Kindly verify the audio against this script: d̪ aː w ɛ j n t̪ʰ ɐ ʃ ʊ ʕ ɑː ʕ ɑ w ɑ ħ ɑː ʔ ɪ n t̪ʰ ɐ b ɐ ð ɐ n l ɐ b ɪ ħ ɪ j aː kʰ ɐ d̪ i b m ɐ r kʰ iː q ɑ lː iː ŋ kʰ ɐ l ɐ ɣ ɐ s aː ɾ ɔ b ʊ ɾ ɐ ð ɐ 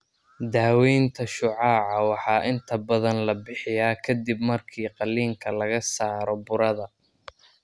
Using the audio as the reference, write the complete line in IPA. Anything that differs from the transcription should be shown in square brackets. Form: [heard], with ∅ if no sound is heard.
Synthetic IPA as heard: d̪ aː w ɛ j n t̪ʰ ɐ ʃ ʊ ʕ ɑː ʕ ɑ w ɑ ħ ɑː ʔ ɪ n t̪ʰ ɐ b ɐ ð ɐ n l ɐ b ɪ ħ ɪ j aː kʰ ɐ d̪ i b m ɐ r kʰ iː q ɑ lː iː ŋ kʰ ɐ l ɐ ɣ ɐ s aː ɾ ɔ b ʊ ɾ ɐ ð ɐ